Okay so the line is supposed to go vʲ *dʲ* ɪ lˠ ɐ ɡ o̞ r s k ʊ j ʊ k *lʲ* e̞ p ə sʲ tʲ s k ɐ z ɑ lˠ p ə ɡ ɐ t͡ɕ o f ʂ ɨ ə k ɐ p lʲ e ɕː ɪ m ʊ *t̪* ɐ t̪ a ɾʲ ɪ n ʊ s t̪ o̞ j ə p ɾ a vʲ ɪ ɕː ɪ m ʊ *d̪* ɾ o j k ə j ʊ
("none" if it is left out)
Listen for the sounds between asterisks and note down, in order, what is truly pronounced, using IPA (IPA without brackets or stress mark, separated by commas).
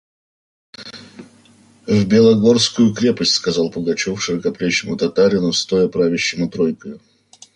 bʲ, ɾʲ, t̪, t̪